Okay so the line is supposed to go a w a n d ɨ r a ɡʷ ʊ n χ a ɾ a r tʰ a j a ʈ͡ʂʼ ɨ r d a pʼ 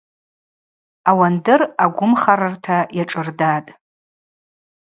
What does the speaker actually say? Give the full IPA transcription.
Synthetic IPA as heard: a w a n d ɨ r a ɡʷ ʊ m χ a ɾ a r tʰ a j a ʈ͡ʂʼ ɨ r d a tʼ